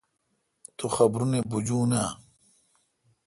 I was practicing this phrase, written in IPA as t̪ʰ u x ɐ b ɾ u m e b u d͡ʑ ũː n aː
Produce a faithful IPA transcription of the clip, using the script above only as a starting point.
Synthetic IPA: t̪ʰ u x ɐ b ɾ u n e b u d͡ʑ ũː n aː